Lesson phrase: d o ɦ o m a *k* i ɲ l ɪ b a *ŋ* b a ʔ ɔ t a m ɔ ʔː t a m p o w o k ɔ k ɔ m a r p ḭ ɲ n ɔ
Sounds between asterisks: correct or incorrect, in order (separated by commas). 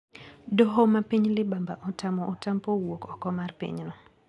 incorrect, incorrect